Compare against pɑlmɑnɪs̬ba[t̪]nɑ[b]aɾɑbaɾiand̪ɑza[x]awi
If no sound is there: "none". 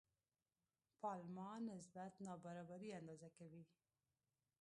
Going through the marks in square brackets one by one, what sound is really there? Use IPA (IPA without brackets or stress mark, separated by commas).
t̪, b, k